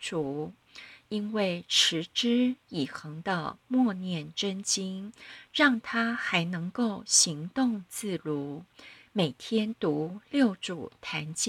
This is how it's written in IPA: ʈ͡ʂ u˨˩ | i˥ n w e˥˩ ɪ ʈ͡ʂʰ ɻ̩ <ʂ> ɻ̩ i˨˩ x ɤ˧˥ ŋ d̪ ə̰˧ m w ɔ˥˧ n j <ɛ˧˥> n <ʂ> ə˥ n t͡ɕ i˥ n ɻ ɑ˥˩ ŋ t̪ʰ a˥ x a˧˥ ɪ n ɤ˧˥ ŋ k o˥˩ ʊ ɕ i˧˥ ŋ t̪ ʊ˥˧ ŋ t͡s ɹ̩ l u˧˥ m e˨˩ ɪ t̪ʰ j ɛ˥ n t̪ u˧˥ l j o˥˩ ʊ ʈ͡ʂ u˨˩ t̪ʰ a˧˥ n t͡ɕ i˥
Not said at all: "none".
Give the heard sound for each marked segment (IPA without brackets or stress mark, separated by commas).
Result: ʈ͡ʂ, ɛ˥˩, ʈ͡ʂ